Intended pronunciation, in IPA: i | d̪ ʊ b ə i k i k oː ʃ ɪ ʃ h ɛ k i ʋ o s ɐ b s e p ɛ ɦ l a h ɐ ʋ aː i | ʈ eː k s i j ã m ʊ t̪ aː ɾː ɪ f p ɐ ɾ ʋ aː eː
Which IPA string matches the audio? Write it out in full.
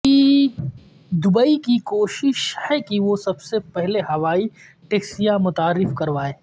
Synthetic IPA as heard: i | d̪ ʊ b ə i k i k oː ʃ ɪ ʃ h ɛ k i ʋ o s ɐ b s e p ɛ ɦ l e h ɐ ʋ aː i | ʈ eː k s i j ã m ʊ t̪ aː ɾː ɪ f k ɐ ɾ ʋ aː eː